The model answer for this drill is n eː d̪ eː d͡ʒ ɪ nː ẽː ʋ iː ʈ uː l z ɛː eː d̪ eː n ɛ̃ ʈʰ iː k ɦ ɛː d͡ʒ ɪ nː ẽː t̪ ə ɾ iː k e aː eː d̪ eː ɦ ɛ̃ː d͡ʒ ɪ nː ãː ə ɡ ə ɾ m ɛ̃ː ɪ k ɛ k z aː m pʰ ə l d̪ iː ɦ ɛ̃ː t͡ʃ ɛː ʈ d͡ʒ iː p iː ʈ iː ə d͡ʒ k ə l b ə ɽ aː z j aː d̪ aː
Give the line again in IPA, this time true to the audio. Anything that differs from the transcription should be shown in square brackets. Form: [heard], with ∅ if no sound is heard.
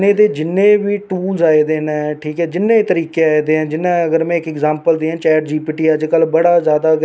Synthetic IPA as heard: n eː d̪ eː d͡ʒ ɪ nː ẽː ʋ iː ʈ uː l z [aː] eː d̪ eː n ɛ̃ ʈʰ iː k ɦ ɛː d͡ʒ ɪ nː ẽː t̪ ə ɾ iː k e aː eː d̪ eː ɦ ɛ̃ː d͡ʒ ɪ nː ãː ə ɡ ə ɾ m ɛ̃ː ɪ k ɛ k z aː m [p] ə l d̪ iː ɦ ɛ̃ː t͡ʃ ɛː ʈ d͡ʒ iː p iː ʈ iː ə d͡ʒ k ə l b ə ɽ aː z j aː d̪ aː